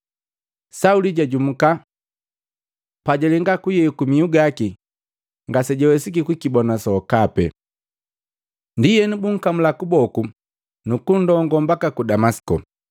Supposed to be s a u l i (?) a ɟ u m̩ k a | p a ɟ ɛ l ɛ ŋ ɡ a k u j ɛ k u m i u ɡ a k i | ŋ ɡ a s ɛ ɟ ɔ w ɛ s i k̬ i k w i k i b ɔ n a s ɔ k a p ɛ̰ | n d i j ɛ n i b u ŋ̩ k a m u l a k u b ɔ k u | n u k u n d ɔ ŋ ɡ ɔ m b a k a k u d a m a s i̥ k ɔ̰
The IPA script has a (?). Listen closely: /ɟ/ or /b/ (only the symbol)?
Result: ɟ